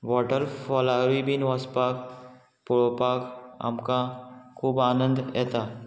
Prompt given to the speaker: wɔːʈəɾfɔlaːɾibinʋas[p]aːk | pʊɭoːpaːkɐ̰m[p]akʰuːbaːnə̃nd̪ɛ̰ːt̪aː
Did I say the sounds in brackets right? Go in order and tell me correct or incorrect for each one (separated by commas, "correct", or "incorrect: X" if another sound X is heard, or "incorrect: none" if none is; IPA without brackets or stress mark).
correct, incorrect: k